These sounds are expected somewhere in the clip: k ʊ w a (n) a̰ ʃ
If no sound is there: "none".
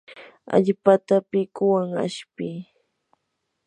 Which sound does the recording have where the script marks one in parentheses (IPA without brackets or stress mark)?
ŋ